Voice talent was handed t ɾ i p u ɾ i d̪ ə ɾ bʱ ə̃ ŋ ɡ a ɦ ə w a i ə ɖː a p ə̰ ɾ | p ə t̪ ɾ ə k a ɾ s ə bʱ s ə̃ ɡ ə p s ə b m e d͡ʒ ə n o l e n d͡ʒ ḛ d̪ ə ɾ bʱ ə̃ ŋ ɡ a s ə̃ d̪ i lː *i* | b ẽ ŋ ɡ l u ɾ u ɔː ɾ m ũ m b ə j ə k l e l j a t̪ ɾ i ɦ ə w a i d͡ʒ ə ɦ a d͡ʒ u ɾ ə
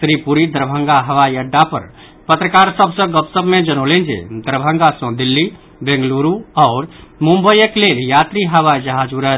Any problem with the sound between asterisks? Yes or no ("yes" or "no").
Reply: no